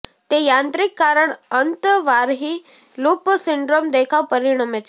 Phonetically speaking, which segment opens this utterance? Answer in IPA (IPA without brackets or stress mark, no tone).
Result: t̪